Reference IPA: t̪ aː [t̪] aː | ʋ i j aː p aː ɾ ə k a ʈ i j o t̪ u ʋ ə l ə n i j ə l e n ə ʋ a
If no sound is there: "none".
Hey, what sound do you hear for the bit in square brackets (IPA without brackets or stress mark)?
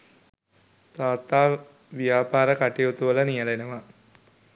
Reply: t̪